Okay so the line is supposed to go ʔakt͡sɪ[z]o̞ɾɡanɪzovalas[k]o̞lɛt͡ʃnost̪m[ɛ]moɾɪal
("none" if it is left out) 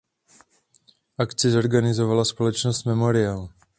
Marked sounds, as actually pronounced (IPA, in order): z, p, ɛ

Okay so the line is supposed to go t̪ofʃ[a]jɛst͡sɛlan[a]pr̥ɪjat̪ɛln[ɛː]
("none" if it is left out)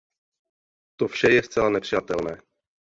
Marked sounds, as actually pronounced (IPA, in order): ɛ, ɛ, ɛː

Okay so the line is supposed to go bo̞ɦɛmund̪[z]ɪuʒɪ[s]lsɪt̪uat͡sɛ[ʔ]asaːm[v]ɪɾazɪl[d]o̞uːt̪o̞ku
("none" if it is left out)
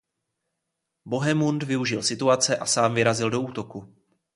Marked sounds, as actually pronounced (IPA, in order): v, none, ʔ, v, d

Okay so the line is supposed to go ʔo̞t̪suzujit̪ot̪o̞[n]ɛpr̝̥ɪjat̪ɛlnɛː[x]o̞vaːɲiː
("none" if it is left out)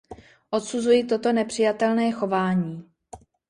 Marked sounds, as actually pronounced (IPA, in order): n, x

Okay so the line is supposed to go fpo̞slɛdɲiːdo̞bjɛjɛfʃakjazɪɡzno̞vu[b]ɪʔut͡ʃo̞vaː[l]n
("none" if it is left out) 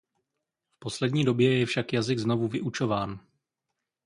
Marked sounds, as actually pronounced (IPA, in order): v, none

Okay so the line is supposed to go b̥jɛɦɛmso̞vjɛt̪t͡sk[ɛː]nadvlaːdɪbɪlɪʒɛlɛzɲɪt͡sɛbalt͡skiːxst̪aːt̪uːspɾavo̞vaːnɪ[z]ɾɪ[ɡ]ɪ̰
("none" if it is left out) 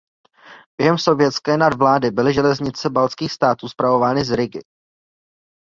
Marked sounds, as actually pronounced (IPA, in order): ɛː, z, ɡ

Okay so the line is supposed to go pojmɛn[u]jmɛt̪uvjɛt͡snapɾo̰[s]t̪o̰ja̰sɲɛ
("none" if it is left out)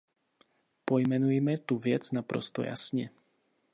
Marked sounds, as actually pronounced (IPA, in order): u, s

